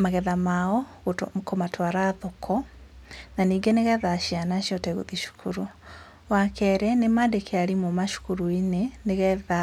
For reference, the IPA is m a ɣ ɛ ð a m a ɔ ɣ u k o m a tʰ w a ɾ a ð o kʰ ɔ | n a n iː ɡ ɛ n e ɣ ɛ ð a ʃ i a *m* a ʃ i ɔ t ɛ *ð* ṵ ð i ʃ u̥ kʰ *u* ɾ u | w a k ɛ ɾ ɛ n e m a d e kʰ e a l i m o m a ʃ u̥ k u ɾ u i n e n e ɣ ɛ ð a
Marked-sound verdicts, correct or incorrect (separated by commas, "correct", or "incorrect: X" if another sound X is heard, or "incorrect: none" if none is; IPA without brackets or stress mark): incorrect: n, incorrect: ɣ, correct